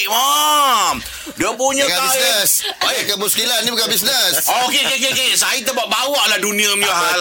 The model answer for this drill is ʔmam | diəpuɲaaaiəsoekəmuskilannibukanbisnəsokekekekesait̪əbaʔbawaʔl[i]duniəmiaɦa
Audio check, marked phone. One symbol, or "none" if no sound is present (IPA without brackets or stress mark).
a